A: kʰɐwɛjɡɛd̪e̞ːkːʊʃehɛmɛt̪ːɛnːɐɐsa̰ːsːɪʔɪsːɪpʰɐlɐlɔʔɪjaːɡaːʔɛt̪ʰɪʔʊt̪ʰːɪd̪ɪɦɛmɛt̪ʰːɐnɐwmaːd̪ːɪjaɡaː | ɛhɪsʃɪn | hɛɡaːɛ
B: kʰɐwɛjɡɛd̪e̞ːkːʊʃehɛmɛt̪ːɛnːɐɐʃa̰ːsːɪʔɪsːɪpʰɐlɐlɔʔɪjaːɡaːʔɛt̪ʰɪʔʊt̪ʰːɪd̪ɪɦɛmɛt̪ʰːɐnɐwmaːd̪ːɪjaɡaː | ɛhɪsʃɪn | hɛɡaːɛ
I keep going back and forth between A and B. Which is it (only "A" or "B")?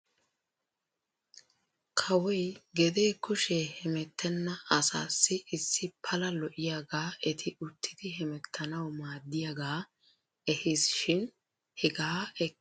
A